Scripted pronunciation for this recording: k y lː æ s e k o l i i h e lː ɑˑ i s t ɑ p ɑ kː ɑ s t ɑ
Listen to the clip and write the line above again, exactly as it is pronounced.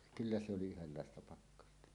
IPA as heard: k y lː æ s e o l i y h e lː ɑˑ e s t ɑ p ɑ kː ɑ s t ɑ